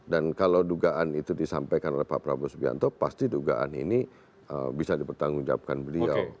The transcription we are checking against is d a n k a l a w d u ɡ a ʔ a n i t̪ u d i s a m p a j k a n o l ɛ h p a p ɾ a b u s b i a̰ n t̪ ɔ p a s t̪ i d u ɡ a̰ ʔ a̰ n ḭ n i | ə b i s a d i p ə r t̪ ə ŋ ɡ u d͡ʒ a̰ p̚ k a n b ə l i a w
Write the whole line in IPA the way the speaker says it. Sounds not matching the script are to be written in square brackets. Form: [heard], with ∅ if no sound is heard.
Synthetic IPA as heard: d a n k a l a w d u ɡ a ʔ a n i t̪ u d i s a m p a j k a n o l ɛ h p a p ɾ a b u s b i a̰ n t̪ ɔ p a s t̪ i d u ɡ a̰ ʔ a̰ n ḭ n i | ə b i s a d i p ə r t̪ [a] ŋ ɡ u d͡ʒ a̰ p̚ k a n b ə l i a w

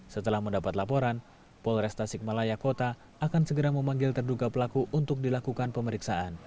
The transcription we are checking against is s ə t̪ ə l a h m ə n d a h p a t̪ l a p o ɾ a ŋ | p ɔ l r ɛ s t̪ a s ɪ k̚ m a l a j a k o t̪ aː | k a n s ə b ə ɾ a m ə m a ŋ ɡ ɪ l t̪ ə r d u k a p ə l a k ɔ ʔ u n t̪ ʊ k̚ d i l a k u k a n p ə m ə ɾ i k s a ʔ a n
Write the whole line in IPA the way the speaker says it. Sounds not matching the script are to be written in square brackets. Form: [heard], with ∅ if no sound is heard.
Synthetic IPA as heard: s ə t̪ ə l a h m ə n d a [∅] p a t̪ l a p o ɾ a [n] | p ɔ l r ɛ s t̪ a s ɪ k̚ m a l a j a k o t̪ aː | k a n s ə [ɡ] ə ɾ a m ə m a ŋ ɡ ɪ l t̪ ə r d u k a p ə l a k [u] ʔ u n t̪ ʊ k̚ d i l a k u k a n p ə m ə ɾ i k s a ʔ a n

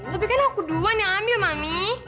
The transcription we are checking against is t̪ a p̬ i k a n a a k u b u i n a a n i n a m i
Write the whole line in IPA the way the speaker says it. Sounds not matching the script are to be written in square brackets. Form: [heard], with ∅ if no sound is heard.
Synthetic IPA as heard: t̪ a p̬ i k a n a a k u [d] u [a] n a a [m] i [m] a m i

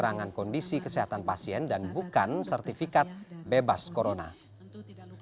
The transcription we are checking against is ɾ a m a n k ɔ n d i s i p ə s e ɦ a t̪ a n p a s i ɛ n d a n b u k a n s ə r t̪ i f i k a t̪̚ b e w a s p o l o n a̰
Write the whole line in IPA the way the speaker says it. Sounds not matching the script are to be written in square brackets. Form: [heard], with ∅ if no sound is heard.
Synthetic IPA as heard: ɾ a [ŋ] a n k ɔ n d i s i [k] ə s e ɦ a t̪ a n p a s i ɛ n d a n b u k a n s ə r t̪ i f i k a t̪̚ b e [b] a s [k] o [ɾ] o n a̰

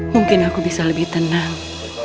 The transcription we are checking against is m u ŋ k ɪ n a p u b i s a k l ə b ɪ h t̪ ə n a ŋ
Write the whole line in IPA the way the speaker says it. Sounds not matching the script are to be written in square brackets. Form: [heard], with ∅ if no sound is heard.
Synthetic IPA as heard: m u ŋ k ɪ n a [k] u b i s a [∅] l ə b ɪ h t̪ ə n a ŋ

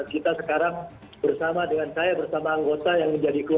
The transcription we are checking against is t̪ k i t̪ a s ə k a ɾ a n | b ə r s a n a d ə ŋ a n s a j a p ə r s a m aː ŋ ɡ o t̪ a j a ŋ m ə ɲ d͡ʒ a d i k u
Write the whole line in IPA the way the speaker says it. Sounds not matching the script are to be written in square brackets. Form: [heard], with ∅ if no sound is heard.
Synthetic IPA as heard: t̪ k i t̪ a s ə k a ɾ a [ŋ] | b ə r s a [m] a d ə ŋ a n s a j a [b] ə r s a m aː ŋ ɡ o t̪ a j a ŋ m ə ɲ d͡ʒ a d i k u

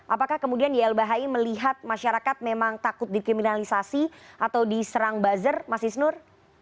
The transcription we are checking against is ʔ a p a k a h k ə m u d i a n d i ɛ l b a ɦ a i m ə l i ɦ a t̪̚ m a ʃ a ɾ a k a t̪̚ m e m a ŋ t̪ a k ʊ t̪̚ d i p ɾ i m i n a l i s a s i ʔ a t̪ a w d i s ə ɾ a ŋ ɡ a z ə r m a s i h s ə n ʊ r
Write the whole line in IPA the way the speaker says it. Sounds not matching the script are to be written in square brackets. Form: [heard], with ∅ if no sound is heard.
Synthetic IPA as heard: ʔ a p a k a h k ə m u d i a n d i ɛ l b a ɦ a i m ə l i ɦ a t̪̚ m a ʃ a ɾ a k a t̪̚ m e m a ŋ t̪ a k ʊ t̪̚ d i [k] ɾ i m i n a l i s a s i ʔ a t̪ a w d i s ə ɾ a ŋ [b] a z ə r m a s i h s ə n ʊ r

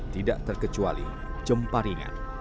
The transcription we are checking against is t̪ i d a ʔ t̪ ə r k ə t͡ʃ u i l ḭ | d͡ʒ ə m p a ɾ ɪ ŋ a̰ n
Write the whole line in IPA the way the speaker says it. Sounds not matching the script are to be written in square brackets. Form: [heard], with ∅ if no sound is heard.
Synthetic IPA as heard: t̪ i d a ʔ t̪ ə r k ə t͡ʃ u [a] l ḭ | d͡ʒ ə m p a ɾ [i] ŋ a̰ n

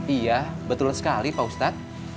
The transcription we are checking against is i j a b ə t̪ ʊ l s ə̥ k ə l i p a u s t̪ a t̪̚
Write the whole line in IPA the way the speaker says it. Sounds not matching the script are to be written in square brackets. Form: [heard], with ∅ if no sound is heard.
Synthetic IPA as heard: i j a b ə t̪ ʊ l s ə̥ k [a] l i p a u s t̪ a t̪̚

